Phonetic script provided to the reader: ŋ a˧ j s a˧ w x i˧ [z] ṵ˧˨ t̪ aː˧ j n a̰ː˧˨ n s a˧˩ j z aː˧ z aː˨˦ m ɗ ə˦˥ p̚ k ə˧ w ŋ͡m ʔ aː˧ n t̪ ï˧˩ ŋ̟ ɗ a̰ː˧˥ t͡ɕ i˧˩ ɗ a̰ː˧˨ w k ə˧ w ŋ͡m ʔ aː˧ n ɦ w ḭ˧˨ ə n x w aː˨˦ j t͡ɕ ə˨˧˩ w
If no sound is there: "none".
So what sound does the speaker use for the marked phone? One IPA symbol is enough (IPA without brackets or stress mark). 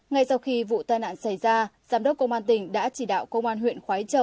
v